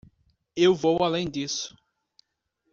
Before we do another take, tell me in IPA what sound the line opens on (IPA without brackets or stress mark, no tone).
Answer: e